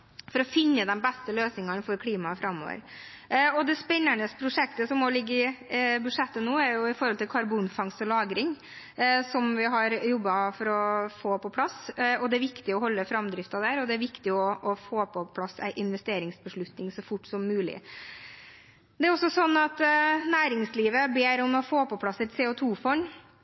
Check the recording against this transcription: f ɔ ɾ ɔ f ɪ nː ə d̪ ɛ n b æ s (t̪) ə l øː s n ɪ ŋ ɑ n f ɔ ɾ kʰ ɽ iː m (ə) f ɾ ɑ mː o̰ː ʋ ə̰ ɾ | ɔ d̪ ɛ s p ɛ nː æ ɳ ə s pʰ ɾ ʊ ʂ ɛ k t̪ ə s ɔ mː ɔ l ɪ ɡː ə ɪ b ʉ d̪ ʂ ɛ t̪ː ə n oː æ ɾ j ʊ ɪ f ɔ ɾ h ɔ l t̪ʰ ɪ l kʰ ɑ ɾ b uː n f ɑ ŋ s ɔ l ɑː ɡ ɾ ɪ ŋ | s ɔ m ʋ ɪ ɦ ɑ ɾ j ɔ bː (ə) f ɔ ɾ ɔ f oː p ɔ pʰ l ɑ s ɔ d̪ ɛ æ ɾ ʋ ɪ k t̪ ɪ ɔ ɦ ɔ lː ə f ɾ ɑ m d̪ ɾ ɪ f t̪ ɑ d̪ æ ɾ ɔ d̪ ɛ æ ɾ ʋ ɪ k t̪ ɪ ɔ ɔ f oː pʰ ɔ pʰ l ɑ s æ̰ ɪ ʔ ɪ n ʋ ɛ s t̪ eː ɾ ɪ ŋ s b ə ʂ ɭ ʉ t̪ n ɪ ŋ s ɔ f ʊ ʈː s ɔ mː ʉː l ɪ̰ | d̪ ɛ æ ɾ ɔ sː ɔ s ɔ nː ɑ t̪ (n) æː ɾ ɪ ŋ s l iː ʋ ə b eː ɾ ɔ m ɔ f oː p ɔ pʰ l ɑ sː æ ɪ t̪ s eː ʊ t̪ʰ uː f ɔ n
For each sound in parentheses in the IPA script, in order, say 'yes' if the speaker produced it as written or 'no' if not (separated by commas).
yes, no, no, yes